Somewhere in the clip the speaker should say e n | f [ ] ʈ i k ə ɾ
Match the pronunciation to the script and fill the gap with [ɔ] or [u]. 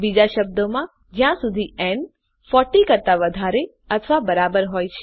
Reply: ɔ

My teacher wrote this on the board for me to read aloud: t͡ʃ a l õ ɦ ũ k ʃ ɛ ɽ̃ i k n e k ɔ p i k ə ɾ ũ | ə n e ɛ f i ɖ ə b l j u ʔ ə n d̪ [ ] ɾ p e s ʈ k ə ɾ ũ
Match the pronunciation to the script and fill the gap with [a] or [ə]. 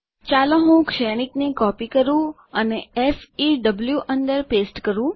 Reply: ə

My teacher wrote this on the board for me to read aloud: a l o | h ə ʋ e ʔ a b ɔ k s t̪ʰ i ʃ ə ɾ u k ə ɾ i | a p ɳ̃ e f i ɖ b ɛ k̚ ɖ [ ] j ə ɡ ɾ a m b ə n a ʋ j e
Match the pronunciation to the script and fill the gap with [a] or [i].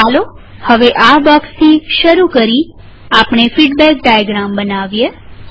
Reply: a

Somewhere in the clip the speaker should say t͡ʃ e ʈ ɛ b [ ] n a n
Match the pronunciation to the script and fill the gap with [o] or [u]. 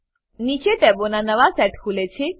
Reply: o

